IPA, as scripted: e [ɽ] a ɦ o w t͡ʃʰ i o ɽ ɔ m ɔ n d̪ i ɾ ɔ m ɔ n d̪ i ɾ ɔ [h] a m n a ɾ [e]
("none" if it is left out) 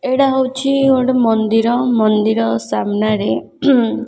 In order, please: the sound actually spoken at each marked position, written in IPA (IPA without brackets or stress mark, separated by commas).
ɽ, s, e